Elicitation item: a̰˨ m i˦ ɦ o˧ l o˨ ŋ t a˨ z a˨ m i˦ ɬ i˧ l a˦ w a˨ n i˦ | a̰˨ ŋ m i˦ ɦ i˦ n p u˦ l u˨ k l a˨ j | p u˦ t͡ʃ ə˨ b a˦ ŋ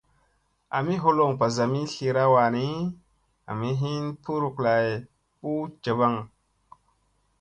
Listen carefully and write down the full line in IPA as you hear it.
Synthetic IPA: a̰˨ m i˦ ɦ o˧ l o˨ ŋ p a˨ z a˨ m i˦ ɬ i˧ ɾ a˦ w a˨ n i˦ | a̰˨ m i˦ ɦ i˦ n p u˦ ɾ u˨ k l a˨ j | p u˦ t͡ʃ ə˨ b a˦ ŋ